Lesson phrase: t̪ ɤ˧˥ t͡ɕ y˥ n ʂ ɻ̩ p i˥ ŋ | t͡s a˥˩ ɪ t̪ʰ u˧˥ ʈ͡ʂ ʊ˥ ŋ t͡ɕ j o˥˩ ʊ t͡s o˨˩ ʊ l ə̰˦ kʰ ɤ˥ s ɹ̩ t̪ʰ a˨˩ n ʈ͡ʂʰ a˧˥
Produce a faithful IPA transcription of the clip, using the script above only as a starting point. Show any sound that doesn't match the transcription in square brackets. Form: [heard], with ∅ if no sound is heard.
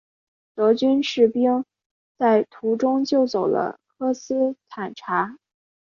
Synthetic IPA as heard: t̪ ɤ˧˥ t͡ɕ y˥ n ʂ ɻ̩ p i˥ ŋ | t͡s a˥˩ ɪ t̪ʰ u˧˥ ʈ͡ʂ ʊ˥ ŋ t͡ɕ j o˥˩ ʊ t͡s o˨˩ ʊ l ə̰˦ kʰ ɤ˥ s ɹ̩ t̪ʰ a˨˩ n ʈ͡ʂʰ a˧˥